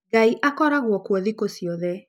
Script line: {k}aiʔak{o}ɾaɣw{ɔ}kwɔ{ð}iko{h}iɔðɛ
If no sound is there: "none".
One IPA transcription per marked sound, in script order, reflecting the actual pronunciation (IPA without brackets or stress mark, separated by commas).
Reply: ɡ, ɔ, ɔ, ð, s